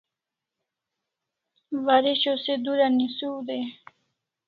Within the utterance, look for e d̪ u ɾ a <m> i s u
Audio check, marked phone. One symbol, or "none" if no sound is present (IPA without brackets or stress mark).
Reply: n